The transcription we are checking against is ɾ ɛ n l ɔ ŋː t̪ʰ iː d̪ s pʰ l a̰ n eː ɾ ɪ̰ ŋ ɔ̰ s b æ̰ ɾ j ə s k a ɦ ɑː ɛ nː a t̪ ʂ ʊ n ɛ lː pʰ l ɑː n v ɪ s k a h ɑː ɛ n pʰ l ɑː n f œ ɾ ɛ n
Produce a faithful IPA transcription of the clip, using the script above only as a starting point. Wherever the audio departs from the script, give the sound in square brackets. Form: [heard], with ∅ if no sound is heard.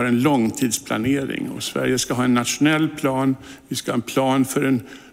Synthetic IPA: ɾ ɛ n l ɔ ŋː t̪ʰ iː d̪ s pʰ l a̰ n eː ɾ ɪ̰ ŋ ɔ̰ s [v] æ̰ ɾ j ə s k a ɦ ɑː ɛ nː a t̪ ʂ ʊ n ɛ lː pʰ l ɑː n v ɪ s k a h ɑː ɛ n pʰ l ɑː n f œ ɾ ɛ n